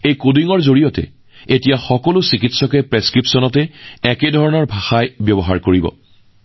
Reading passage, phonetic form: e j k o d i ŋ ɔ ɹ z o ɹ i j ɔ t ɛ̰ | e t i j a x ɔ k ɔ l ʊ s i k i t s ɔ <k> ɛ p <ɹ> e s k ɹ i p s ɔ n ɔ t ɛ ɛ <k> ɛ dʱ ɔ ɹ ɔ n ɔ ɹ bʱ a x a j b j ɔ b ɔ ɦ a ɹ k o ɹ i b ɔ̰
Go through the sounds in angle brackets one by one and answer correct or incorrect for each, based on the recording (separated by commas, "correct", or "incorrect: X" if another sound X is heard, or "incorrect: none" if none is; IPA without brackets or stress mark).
correct, correct, correct